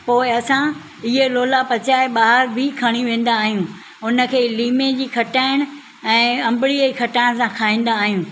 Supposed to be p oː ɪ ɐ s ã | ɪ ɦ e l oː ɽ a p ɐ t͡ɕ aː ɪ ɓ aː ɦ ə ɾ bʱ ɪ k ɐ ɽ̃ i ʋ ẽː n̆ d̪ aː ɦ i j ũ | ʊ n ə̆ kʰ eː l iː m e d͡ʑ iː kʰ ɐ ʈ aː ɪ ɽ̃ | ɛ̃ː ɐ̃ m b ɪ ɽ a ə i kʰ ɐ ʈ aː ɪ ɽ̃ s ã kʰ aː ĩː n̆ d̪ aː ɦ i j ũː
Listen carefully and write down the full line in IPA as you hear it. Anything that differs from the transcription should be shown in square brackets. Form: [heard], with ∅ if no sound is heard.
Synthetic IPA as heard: p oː ɪ ɐ s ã | ɪ ɦ e l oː [l] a p ɐ t͡ɕ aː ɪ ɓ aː ɦ ə ɾ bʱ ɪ [kʰ] ɐ ɽ̃ i ʋ ẽː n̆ d̪ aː ɦ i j ũ | ʊ n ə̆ kʰ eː l iː m e d͡ʑ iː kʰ ɐ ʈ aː ɪ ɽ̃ | ɛ̃ː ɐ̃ m b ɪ ɽ [i] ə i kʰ ɐ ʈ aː ɪ ɽ̃ s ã kʰ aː ĩː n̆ d̪ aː ɦ i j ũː